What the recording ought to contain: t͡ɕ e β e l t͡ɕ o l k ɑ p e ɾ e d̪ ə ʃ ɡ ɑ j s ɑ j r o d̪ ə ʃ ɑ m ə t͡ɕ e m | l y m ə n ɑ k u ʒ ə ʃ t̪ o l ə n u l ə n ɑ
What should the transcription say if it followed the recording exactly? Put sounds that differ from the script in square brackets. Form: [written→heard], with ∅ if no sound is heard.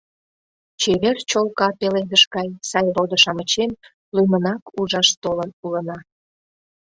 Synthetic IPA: t͡ɕ e β e [l→r] t͡ɕ o l k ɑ p e [ɾ→l] e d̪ ə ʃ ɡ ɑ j s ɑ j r o d̪ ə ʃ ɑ m ə t͡ɕ e m | l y m ə n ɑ k u ʒ [ə→ɑ] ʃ t̪ o l ə n u l ə n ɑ